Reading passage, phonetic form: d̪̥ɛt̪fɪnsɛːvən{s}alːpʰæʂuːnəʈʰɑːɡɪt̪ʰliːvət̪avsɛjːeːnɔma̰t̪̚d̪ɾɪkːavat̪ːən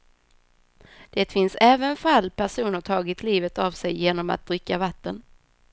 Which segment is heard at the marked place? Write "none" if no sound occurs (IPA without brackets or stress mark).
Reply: f